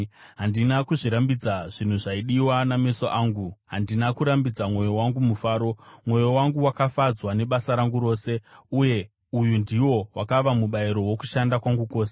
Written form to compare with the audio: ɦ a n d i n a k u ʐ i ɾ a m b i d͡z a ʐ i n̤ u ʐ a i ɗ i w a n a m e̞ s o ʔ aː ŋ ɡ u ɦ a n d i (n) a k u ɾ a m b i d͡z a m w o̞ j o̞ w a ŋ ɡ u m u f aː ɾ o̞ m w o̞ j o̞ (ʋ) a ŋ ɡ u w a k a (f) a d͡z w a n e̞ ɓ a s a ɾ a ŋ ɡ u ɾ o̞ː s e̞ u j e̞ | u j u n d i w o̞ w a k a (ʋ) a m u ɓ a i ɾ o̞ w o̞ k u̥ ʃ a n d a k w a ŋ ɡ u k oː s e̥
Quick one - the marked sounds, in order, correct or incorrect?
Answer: correct, incorrect: w, correct, correct

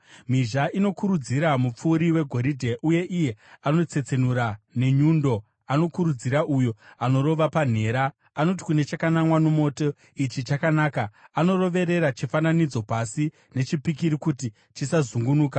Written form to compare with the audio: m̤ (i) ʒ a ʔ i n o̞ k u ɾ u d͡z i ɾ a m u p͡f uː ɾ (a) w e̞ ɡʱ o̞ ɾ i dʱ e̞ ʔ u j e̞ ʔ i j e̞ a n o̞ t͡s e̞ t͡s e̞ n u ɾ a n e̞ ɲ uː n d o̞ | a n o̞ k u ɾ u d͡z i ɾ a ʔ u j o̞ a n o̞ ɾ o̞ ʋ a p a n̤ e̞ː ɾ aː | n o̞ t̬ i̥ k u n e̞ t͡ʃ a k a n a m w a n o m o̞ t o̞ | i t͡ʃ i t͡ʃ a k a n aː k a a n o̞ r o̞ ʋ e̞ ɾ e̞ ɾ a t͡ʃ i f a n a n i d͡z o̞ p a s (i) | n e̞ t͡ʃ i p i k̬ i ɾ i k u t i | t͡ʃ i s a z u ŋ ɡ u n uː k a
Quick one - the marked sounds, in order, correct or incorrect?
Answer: correct, incorrect: i, correct

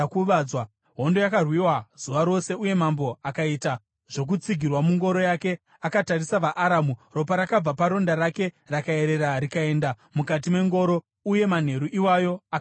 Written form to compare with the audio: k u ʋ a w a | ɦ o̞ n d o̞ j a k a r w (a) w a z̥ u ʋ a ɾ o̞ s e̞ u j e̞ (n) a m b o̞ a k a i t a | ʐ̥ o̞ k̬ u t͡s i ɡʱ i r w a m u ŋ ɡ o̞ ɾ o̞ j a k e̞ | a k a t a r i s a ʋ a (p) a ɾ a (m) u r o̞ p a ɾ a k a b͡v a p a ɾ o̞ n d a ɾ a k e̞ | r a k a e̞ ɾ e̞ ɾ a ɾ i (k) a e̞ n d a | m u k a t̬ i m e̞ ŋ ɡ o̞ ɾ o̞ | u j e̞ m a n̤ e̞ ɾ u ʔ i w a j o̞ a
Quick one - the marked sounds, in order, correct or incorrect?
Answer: incorrect: i, incorrect: m, incorrect: ʔ, correct, correct

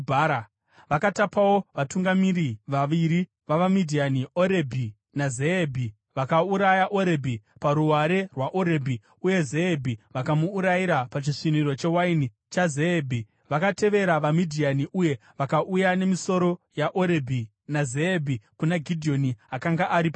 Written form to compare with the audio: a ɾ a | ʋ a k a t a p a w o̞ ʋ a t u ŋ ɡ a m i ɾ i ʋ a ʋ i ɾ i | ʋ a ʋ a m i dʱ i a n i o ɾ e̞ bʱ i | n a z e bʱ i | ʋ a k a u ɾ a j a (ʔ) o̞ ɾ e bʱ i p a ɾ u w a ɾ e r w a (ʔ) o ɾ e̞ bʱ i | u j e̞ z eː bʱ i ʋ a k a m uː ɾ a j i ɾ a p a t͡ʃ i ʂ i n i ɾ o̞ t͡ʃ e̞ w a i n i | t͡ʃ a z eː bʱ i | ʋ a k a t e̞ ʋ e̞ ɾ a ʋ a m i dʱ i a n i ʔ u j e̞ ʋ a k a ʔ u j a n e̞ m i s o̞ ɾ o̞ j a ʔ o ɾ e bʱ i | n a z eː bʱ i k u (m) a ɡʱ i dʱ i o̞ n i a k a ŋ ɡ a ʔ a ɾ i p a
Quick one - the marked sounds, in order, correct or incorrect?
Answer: correct, correct, incorrect: n

